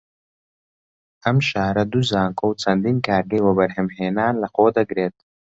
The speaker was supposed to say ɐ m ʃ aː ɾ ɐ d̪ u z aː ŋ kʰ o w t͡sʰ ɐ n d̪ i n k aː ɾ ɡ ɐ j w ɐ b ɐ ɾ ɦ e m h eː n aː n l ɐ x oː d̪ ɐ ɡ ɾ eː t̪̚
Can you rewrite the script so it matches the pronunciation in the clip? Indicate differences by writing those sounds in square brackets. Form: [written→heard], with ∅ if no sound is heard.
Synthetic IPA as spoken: ɐ m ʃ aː ɾ ɐ d̪ u z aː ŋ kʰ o w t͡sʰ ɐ n d̪ i n k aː ɾ ɡ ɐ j w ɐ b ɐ ɾ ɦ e m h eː n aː n l ɐ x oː d̪ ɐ ɡ ɾ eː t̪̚